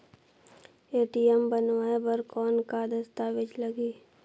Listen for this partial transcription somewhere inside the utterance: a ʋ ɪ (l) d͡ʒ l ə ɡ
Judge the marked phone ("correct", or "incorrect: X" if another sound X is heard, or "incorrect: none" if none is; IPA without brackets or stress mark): incorrect: none